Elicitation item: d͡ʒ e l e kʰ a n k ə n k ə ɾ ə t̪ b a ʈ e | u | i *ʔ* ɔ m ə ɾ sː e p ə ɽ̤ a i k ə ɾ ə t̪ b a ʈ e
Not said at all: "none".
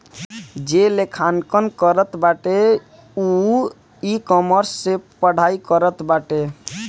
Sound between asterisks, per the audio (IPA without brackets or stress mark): k